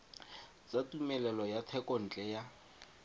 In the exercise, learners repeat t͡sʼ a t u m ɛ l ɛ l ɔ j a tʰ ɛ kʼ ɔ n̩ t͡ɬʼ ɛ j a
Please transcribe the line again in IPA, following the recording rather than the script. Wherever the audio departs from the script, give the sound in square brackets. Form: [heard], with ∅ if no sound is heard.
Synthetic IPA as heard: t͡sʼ a t u m ɛ l ɛ l ɔ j a tʰ ɛ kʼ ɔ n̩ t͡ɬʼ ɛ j a